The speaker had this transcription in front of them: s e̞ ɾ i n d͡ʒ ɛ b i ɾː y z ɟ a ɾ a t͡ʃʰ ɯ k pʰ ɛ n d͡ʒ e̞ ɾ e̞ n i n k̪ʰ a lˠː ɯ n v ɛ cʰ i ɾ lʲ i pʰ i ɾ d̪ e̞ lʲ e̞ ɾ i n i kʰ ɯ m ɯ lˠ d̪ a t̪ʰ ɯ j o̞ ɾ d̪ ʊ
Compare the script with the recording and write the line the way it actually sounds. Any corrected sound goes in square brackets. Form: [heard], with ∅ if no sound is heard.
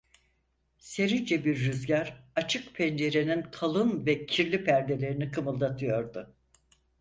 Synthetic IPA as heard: s e̞ ɾ i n d͡ʒ ɛ b i ɾː y z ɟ a ɾ a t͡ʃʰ ɯ k pʰ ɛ n d͡ʒ e̞ ɾ e̞ n i n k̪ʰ a [lˠ] ɯ n v ɛ cʰ i ɾ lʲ i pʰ [æ] ɾ d̪ e̞ lʲ e̞ ɾ i n i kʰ ɯ m ɯ lˠ d̪ a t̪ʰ ɯ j o̞ ɾ d̪ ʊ

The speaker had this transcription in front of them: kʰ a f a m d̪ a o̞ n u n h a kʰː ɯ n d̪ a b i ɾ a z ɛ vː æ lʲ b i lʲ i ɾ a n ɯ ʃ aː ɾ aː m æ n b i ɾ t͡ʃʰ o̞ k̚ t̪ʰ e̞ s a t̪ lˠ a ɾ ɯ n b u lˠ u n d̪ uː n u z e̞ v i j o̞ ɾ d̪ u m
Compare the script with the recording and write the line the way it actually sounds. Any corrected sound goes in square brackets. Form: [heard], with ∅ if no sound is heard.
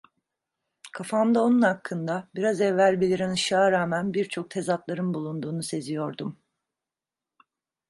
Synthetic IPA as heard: kʰ a f a m d̪ a o̞ n u n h a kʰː ɯ n d̪ a b i ɾ a z ɛ vː æ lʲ b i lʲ i ɾ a n ɯ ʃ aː ɾ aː m æ n b i ɾ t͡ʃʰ o̞ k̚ t̪ʰ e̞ [z] a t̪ lˠ a ɾ ɯ n b u lˠ u n d̪ uː n u [s] e̞ [z] i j o̞ ɾ d̪ u m

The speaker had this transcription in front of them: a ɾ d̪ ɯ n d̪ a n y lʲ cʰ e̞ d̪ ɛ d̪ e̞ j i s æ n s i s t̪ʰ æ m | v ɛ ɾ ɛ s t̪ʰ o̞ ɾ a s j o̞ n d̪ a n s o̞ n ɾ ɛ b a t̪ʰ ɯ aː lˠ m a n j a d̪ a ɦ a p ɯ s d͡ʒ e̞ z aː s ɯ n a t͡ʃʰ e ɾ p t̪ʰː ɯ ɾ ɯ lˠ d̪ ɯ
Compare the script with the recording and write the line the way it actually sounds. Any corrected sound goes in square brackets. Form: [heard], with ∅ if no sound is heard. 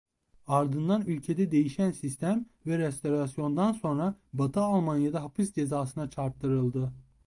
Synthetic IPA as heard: a ɾ d̪ ɯ n d̪ a n y lʲ cʰ e̞ d̪ ɛ d̪ e̞ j i [ʃ] æ n s i s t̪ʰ æ m | v ɛ ɾ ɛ s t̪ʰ o̞ ɾ a s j o̞ n d̪ a n s o̞ n ɾ [a] b a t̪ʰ ɯ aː lˠ m a n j a d̪ a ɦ a p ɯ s d͡ʒ e̞ z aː s ɯ n a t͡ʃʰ [a] ɾ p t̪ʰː ɯ ɾ ɯ lˠ d̪ ɯ

